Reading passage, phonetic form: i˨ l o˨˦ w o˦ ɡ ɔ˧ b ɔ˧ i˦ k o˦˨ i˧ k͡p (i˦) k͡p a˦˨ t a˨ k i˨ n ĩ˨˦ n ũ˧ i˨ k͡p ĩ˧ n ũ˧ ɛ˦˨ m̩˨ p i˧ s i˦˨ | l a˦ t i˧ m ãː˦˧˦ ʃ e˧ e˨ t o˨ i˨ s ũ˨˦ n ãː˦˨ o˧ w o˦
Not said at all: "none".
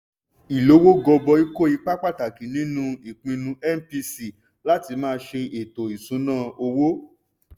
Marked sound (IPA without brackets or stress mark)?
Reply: a˦